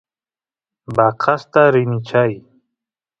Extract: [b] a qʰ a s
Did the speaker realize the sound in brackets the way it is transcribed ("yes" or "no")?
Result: yes